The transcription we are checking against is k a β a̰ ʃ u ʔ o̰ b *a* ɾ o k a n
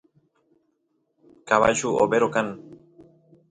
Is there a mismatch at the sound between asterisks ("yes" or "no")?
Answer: yes